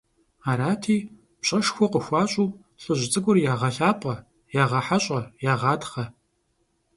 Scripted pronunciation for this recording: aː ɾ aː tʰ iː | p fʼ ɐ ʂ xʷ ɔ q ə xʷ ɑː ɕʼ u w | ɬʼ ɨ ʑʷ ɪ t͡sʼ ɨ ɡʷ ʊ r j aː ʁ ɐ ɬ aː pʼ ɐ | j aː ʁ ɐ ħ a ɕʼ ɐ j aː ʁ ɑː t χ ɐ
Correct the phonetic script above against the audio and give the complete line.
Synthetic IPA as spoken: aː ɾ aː tʰ iː | p ɕʼ ɐ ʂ xʷ ɔ q ə xʷ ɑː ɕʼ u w | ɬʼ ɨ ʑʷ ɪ t͡sʼ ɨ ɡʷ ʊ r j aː ʁ ɐ ɬ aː pʼ ɐ | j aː ʁ ɐ ħ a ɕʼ ɐ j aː ʁ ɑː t χ ɐ